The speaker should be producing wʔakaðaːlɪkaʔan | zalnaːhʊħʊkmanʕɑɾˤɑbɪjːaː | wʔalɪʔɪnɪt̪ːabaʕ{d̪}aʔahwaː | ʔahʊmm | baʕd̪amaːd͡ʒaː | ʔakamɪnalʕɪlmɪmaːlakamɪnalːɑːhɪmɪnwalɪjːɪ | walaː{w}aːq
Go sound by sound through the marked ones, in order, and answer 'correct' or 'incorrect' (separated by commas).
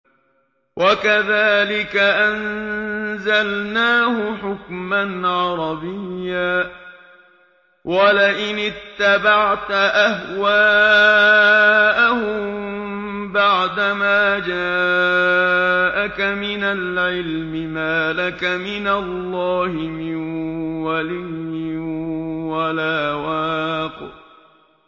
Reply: incorrect, correct